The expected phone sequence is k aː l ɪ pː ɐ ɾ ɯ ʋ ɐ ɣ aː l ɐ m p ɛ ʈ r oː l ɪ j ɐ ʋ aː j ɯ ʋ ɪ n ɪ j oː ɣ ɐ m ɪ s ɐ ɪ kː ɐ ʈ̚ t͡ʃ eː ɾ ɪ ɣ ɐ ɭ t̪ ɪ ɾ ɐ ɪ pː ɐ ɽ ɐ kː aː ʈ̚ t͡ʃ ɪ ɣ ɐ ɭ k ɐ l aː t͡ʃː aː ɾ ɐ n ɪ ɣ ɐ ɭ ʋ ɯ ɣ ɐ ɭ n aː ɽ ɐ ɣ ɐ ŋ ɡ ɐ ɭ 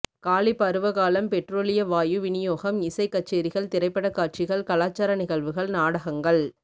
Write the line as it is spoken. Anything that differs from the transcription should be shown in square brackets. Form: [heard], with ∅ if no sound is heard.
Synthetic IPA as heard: k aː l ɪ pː ɐ ɾ ɯ ʋ ɐ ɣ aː l ɐ m p ɛ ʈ r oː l ɪ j ɐ ʋ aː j ɯ ʋ ɪ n ɪ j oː ɣ ɐ m ɪ s ɐ ɪ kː ɐ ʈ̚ t͡ʃ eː ɾ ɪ ɣ ɐ ɭ t̪ ɪ ɾ ɐ ɪ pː ɐ ɽ ɐ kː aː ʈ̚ t͡ʃ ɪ ɣ ɐ ɭ k ɐ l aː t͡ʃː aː ɾ ɐ n ɪ ɣ ɐ ɭ ʋ ɯ ɣ ɐ ɭ n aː ɽ ɐ ɣ ɐ ŋ ɡ ɐ ɭ